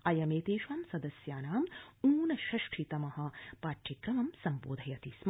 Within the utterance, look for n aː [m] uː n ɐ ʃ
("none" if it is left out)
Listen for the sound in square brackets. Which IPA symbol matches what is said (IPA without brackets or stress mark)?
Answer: m